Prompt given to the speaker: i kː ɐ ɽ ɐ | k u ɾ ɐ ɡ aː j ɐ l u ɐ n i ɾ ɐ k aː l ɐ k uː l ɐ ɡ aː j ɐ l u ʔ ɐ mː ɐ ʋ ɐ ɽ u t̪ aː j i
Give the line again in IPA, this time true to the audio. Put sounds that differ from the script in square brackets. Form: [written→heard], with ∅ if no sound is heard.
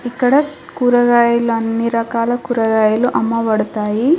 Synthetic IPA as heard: i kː ɐ ɽ ɐ | k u ɾ ɐ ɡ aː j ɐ l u ɐ [n→nː] i ɾ ɐ k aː l ɐ k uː [l→ɾ] ɐ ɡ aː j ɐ l u ʔ ɐ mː ɐ ʋ ɐ ɽ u t̪ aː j i